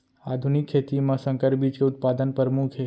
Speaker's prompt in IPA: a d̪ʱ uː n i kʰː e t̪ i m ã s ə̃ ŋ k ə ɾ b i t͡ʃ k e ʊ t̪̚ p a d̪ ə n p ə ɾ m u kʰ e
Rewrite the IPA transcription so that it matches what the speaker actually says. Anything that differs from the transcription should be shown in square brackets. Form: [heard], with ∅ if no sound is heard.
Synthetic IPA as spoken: a d̪ʱ [u] n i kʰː e t̪ i m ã s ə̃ ŋ k ə ɾ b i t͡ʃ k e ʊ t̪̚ p a d̪ ə n p ə ɾ m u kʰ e